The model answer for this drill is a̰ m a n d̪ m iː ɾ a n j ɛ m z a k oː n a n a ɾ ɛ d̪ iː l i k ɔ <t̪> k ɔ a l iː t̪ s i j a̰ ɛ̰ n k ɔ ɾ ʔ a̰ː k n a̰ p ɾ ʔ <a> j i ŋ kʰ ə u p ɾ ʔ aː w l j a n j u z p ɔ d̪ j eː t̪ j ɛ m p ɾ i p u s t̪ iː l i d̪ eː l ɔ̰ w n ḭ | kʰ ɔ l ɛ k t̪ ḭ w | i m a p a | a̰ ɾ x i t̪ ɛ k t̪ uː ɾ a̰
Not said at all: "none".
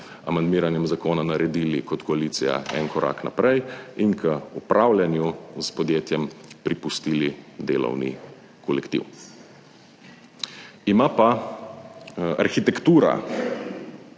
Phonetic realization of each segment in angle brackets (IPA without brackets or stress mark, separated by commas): t̪, ɛ